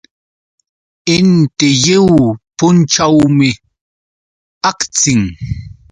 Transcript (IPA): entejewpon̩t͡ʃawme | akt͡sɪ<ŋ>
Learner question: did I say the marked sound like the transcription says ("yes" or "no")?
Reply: yes